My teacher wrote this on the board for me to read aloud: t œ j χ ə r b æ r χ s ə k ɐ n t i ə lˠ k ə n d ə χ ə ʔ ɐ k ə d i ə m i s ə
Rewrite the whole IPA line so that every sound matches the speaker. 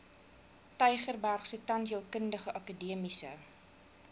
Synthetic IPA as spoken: t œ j χ ə r b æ r χ s ə t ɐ n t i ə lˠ k ə n d ə χ ə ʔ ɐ k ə d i ə m i s ə